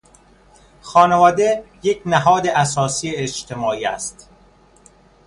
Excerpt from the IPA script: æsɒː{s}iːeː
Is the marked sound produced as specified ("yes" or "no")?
yes